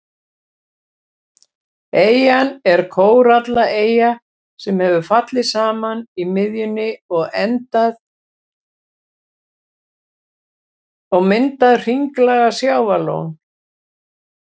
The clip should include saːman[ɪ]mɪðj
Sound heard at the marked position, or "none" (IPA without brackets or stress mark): i